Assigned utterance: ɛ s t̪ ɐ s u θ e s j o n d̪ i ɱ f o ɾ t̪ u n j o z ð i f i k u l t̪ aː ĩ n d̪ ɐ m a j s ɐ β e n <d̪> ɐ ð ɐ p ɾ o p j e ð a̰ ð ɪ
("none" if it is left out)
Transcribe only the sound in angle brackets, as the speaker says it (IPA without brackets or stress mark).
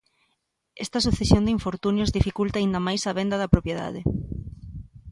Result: d̪